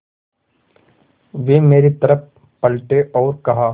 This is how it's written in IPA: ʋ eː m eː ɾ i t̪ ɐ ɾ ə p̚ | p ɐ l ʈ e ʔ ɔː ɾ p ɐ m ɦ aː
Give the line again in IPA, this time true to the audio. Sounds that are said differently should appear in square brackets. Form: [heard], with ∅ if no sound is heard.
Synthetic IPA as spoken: ʋ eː m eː ɾ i t̪ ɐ ɾ ə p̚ | p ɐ l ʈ e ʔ ɔː ɾ [k] ɐ [∅] ɦ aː